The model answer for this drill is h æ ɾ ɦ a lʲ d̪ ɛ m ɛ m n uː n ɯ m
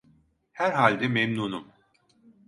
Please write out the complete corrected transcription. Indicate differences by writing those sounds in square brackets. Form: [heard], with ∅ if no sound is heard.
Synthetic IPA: h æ ɾ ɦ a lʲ d̪ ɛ m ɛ m n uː n [u] m